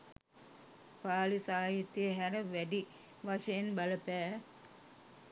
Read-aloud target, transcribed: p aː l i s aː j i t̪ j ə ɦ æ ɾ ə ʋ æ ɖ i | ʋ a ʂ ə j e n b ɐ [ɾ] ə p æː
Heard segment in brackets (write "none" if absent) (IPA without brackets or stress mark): l